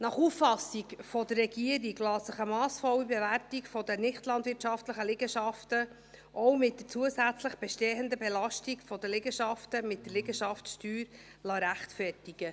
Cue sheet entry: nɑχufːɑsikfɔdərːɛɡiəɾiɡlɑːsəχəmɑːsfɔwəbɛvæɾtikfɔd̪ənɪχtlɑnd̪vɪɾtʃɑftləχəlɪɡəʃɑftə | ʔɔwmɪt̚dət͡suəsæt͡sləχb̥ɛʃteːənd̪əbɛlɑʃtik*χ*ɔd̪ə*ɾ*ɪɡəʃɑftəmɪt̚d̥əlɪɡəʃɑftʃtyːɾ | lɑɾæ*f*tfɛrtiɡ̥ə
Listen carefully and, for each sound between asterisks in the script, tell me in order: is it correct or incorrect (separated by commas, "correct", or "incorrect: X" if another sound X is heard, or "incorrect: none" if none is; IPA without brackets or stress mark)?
incorrect: f, incorrect: l, incorrect: χ